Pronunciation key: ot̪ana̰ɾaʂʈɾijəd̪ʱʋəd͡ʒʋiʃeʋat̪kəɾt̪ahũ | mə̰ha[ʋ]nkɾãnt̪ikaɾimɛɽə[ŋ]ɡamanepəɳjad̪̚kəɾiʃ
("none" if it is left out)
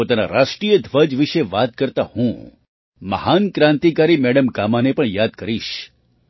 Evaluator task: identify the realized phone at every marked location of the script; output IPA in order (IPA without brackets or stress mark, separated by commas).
none, m